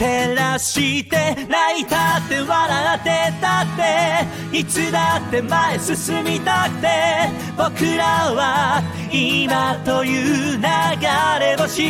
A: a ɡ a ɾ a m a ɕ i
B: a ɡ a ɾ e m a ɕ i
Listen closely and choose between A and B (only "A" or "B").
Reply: B